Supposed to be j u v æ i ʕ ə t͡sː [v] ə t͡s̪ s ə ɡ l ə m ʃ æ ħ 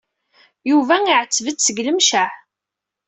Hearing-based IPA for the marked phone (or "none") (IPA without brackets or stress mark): v